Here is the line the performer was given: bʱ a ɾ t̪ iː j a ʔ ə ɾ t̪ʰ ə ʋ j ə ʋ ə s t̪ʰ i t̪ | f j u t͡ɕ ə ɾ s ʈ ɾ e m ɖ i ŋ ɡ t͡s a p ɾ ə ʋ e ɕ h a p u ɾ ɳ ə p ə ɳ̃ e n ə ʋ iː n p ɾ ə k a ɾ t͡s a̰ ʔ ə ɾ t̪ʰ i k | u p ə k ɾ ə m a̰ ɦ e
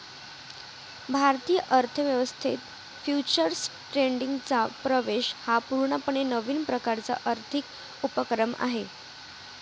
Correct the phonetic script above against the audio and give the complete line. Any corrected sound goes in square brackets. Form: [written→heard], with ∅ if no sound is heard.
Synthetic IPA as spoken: bʱ a ɾ t̪ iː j [a→ə] ʔ ə ɾ t̪ʰ ə ʋ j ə ʋ ə s t̪ʰ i t̪ | f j u t͡ɕ ə ɾ s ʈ ɾ e [m→ɳ] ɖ i ŋ ɡ t͡s a p ɾ ə ʋ e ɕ h a p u ɾ ɳ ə p ə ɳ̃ e n ə ʋ iː n p ɾ ə k a ɾ t͡s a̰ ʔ ə ɾ t̪ʰ i k | u p ə k ɾ ə m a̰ ɦ e